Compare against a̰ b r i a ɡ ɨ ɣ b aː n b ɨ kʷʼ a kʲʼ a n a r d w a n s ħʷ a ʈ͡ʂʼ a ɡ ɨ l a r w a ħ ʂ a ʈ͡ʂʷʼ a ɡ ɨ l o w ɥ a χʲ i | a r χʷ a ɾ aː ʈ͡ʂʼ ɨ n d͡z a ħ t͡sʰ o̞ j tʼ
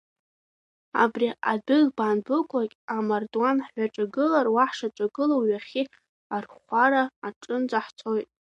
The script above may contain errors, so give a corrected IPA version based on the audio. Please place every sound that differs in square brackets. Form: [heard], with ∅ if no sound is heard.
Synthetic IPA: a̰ b r i a [d] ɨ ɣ b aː n b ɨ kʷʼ a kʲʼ a [m] a r d w a n [ħ] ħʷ a ʈ͡ʂʼ a ɡ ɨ l a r w a ħ ʂ a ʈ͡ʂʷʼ a ɡ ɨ l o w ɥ a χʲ i | a r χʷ a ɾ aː ʈ͡ʂʼ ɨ n d͡z a ħ t͡sʰ o̞ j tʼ